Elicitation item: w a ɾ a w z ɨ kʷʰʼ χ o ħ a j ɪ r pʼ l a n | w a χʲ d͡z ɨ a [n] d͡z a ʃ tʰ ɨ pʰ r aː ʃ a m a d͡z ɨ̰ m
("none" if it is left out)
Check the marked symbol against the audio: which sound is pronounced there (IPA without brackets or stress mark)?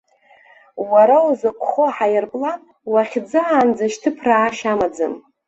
n